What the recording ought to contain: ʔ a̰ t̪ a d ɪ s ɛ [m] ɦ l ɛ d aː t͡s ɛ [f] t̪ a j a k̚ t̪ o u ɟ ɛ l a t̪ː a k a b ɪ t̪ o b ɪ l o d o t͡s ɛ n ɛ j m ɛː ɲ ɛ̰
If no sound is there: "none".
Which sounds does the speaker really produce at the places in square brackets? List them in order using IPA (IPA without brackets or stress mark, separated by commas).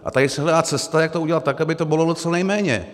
none, s